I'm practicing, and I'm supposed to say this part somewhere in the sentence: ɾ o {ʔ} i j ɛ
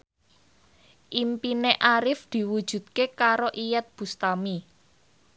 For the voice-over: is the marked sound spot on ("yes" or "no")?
yes